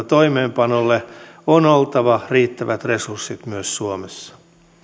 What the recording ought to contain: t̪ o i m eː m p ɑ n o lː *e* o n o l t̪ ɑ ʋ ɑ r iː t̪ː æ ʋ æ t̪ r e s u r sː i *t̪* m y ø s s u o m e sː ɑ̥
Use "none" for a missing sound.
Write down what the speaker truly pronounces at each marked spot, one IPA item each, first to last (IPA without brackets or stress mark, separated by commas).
e, t̪